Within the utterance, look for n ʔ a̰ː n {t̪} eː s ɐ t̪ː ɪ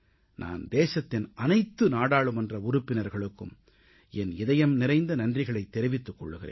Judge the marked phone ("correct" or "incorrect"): incorrect